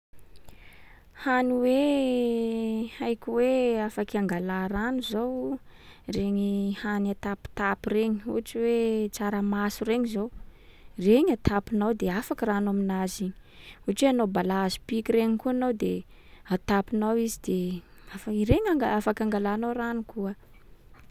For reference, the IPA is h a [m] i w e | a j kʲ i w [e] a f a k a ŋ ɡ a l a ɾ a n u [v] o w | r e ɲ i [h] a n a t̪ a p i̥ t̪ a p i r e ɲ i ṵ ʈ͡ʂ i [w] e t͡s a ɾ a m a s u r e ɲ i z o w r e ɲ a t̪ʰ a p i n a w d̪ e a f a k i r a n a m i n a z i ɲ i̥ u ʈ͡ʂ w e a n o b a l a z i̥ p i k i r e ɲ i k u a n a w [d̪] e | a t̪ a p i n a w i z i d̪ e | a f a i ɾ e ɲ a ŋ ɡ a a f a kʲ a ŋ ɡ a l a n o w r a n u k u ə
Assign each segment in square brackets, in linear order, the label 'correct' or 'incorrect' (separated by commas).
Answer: incorrect, correct, incorrect, correct, correct, correct